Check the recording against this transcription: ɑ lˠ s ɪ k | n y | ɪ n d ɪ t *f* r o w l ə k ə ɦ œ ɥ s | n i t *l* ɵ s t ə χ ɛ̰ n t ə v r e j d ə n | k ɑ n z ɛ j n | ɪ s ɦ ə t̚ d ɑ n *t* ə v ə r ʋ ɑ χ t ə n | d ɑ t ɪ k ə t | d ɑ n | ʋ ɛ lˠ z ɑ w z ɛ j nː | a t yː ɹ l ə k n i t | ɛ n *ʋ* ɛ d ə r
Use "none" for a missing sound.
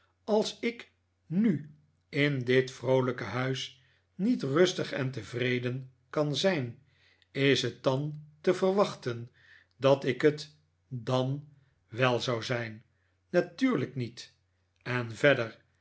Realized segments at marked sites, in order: f, r, t, v

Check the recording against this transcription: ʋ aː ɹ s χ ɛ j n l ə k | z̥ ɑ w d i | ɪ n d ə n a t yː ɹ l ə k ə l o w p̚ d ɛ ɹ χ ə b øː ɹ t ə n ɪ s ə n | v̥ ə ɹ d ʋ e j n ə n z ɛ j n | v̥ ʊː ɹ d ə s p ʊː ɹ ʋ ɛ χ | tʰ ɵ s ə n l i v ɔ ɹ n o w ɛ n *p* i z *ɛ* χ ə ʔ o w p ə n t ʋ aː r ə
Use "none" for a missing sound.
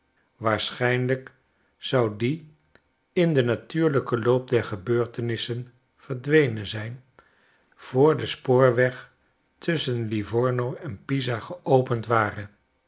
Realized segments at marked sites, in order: p, a

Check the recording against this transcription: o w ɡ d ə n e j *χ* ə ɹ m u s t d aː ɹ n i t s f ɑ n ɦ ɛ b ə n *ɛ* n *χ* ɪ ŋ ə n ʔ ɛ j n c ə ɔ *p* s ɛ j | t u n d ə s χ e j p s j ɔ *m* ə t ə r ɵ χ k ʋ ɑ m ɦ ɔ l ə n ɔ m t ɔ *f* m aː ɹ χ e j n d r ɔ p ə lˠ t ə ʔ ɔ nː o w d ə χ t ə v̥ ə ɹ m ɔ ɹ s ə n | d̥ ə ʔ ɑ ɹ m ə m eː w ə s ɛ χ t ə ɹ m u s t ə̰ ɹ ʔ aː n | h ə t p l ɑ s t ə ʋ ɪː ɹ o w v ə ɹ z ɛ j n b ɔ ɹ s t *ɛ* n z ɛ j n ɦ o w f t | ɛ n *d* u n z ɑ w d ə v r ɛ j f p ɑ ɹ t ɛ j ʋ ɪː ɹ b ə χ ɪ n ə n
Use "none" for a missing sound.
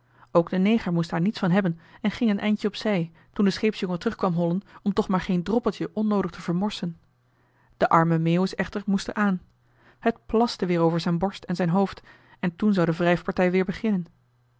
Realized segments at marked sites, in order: χ, ɛ, χ, p, ŋ, χ, ɛ, t

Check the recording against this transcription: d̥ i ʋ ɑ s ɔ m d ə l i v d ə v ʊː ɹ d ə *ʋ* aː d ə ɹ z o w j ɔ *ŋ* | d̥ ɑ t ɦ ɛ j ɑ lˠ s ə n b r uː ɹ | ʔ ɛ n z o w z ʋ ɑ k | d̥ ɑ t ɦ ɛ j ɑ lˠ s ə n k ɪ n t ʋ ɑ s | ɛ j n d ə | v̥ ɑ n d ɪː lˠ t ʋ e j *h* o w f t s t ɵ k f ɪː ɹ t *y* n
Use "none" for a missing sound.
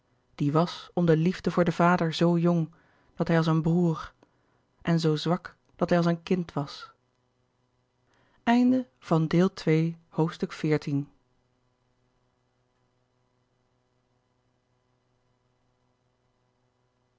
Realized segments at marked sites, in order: v, ŋ, h, i

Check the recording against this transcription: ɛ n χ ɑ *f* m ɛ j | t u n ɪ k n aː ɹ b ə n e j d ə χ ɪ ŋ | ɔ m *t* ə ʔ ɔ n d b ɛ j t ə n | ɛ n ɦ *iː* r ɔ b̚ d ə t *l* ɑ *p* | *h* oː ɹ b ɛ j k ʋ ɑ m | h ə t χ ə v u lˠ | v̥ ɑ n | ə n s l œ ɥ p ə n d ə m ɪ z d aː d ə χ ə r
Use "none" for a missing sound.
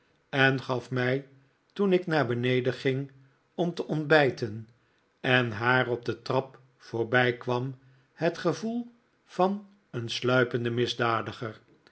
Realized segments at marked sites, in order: f, t, aː, r, p, f

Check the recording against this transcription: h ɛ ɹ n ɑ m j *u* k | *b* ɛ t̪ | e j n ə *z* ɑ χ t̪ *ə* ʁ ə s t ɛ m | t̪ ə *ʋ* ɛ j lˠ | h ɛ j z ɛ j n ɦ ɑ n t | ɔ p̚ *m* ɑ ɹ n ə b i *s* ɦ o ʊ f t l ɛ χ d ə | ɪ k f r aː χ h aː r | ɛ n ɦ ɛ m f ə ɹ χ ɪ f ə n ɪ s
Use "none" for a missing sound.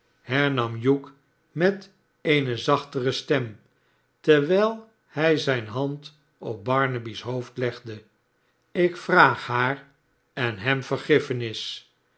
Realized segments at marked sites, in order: u, m, z, ə, ʋ, b, s

